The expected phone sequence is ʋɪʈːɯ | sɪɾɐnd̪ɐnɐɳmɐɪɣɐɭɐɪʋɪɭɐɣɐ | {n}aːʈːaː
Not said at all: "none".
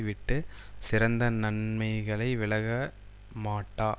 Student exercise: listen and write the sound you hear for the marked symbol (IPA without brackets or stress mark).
m